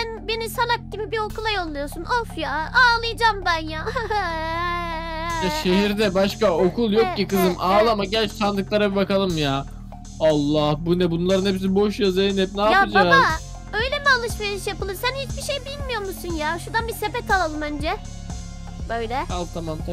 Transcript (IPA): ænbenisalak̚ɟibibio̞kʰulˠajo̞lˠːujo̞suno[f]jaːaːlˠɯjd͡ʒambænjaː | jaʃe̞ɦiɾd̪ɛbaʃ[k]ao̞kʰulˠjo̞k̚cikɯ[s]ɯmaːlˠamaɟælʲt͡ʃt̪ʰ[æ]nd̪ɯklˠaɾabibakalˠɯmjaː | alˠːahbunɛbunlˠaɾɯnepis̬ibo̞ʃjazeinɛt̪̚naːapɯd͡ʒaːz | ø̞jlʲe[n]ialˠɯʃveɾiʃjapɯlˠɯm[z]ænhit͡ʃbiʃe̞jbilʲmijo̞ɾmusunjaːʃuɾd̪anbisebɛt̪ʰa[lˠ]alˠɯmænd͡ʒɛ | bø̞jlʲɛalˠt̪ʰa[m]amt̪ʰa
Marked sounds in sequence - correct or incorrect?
correct, correct, incorrect, incorrect, incorrect, incorrect, correct, correct

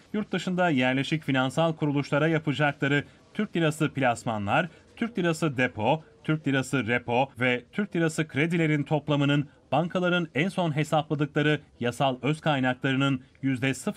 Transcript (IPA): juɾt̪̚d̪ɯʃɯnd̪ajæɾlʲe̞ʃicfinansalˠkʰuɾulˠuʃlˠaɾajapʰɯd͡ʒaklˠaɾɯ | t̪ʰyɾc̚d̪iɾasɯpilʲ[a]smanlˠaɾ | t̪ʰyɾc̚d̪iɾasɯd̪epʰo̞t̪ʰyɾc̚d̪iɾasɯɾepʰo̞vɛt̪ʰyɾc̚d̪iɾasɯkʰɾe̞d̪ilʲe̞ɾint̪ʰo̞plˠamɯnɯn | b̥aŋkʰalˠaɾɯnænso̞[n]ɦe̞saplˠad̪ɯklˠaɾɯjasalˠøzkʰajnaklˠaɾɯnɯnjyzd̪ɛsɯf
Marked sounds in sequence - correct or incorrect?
correct, correct

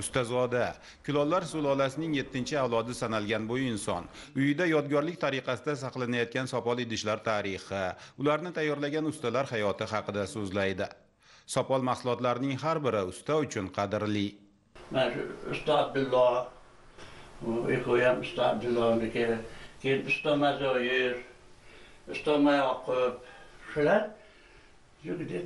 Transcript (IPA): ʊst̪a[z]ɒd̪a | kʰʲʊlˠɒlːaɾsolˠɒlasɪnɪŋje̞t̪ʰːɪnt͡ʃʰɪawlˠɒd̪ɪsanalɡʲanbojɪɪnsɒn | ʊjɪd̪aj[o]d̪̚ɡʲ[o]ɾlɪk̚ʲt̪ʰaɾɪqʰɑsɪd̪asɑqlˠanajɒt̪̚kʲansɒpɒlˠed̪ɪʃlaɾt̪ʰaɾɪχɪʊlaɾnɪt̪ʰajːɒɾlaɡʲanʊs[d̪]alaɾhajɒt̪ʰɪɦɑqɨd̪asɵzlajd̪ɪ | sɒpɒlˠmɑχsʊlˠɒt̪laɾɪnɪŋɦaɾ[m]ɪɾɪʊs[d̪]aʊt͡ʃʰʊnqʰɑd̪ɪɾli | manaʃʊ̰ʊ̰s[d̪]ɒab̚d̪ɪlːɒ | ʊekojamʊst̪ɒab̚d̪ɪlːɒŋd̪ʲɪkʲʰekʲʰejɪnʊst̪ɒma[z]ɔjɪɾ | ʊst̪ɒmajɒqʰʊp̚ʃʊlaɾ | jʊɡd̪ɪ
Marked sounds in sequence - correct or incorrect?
correct, incorrect, incorrect, incorrect, incorrect, incorrect, incorrect, correct

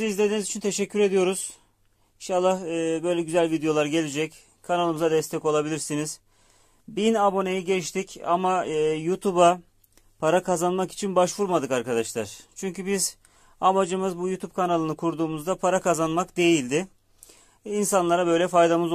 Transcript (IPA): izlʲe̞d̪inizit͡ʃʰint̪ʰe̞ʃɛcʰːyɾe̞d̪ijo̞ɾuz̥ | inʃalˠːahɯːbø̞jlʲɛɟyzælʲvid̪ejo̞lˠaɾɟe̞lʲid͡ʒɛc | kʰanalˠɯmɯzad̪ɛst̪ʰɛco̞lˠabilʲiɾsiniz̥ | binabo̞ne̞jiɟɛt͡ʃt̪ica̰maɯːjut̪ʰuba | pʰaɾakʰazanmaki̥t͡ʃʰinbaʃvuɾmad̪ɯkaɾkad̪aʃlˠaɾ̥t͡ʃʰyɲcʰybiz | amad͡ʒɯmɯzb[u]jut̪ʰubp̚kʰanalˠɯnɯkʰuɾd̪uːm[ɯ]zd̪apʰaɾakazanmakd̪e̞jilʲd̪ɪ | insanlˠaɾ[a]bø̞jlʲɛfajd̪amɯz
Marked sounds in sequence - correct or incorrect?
correct, incorrect, correct

